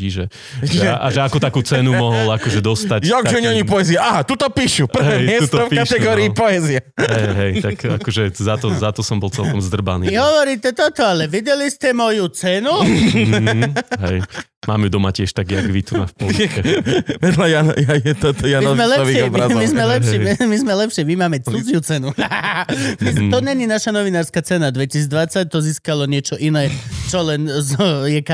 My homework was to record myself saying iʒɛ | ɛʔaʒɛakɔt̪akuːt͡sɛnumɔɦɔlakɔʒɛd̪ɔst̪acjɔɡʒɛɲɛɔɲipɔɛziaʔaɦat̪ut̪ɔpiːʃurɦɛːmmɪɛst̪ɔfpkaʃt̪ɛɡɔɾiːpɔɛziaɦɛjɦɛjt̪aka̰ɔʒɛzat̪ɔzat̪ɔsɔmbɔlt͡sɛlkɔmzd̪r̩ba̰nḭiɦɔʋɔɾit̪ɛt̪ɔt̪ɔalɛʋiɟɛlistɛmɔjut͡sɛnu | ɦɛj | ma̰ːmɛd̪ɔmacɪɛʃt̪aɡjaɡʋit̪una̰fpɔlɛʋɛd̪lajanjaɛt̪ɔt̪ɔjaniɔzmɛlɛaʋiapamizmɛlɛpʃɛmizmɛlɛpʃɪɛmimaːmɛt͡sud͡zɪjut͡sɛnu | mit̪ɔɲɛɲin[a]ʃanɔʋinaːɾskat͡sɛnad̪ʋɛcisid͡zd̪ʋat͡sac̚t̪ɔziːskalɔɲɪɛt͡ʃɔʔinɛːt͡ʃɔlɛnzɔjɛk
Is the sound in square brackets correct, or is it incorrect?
correct